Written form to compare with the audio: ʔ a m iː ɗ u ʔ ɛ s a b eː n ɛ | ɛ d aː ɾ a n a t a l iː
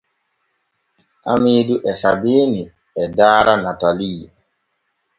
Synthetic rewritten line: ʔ a m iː d u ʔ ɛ s a b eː n i | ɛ d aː ɾ a n a t a l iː